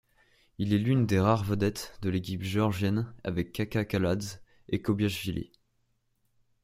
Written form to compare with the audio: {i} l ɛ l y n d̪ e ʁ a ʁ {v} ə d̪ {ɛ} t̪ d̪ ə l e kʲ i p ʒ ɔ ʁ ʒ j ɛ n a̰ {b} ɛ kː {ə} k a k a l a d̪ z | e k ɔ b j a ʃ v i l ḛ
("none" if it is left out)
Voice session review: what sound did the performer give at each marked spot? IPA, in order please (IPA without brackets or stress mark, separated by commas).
i, v, ɛ, v, a